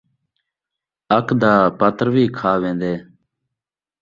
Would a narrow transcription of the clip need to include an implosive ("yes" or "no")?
no